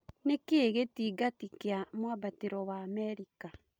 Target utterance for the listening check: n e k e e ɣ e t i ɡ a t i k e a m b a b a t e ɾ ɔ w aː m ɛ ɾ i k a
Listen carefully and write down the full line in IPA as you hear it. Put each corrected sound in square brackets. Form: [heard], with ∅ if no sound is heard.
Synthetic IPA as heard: n e k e e ɣ e t i ɡ a t i k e a m [w] a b a t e ɾ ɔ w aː m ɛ ɾ i k a